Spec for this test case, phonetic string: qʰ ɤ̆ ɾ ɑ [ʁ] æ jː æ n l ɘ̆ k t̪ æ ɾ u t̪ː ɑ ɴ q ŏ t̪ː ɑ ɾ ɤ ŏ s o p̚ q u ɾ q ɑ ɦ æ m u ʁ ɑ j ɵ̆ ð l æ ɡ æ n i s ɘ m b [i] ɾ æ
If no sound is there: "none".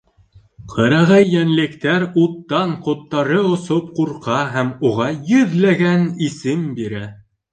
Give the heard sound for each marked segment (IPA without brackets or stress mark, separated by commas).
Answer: ʁ, i